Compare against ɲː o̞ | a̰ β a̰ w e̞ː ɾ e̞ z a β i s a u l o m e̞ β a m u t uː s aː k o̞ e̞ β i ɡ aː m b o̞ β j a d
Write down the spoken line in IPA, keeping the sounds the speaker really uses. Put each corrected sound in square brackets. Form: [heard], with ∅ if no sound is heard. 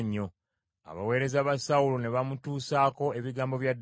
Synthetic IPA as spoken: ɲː o̞ | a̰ β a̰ w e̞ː ɾ e̞ z a β [a] s a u l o [n] e̞ β a m u t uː s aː k o̞ e̞ β i ɡ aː m b o̞ β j a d

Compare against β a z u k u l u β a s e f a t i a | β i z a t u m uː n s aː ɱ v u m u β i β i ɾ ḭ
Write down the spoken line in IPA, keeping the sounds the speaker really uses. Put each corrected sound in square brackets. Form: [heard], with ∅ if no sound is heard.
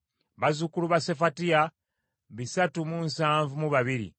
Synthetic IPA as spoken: β a z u k u l u β a s e f a t i a | β i [s] a t u m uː n s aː ɱ v u m u β [a] β i ɾ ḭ

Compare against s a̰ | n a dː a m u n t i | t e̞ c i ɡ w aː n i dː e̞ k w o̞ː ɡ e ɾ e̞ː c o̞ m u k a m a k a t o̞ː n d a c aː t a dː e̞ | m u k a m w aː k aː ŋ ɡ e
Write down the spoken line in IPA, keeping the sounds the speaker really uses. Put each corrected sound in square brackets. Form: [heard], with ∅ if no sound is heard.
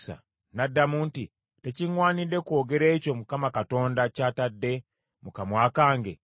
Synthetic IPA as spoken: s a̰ | n a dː a m u n t i | t e̞ c i [ŋ] w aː n i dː e̞ k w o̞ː ɡ e ɾ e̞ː c o̞ m u k a m a k a t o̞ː n d a c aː t a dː e̞ | m u k a m w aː k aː ŋ ɡ e

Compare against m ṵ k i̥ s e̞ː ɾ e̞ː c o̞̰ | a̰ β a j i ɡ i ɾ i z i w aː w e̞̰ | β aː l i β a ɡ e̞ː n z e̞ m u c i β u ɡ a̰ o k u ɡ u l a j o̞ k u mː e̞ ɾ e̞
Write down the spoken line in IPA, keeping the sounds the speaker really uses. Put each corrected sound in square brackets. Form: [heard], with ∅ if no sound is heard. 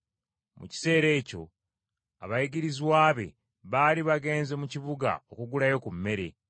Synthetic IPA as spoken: m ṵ [c] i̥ s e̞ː ɾ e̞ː c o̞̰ | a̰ β a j i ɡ i ɾ i z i w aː [β] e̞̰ | β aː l i β a ɡ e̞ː n z e̞ m u c i β u ɡ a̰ o k u ɡ u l a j o̞ k u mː e̞ ɾ e̞

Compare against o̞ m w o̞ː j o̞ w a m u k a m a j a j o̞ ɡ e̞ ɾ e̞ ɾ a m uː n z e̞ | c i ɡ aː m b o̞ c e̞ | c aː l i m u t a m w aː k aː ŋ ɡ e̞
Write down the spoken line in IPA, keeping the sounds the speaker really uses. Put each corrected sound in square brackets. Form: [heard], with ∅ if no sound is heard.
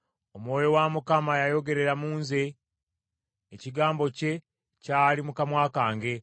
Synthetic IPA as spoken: o̞ m w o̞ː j o̞ w a m u k a m a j a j o̞ ɡ e̞ ɾ e̞ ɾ a m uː n z e̞ | c i ɡ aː m b o̞ c e̞ | c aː l i m u [k] a m w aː k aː ŋ ɡ e̞

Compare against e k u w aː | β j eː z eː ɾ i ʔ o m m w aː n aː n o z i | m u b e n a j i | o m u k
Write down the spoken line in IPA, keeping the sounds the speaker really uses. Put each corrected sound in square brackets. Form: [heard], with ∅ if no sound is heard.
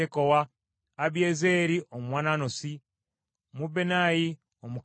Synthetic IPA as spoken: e k [o] w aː | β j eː z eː ɾ i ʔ o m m w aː n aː n o [s] i | m u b e n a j i | o m u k

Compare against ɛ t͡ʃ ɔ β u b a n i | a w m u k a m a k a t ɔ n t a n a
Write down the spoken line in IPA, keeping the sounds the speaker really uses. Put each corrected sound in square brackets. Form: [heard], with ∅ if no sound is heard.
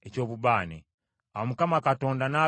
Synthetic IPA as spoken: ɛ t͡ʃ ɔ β u b a n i | a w m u k a m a k a t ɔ n [d] a n a

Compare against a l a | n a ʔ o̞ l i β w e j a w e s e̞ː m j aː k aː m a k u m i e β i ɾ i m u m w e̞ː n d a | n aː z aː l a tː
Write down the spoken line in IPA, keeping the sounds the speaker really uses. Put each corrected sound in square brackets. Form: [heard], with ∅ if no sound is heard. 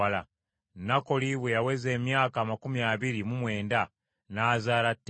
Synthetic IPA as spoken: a l a | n a [k] o̞ l i β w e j a w e [z] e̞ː m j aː k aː m a k u m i [a] β i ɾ i m u m w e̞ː n d a | n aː z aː l a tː

